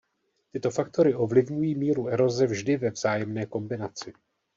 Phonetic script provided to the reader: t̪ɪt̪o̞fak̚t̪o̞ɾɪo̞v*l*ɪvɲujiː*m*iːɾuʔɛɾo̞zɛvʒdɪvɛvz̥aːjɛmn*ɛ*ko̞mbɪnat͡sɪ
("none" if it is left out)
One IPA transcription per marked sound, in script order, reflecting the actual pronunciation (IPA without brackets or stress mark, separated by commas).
l, m, ɛː